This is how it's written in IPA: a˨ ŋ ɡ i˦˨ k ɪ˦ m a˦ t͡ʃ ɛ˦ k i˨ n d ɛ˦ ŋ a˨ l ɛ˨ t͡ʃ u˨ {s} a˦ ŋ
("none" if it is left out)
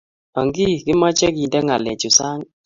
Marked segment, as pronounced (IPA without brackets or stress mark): s